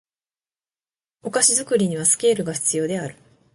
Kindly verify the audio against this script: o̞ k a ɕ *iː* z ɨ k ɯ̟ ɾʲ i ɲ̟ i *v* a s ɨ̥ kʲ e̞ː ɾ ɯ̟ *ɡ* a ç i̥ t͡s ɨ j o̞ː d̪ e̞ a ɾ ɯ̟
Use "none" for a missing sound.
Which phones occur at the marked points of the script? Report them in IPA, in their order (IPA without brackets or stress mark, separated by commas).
i, β, ɡ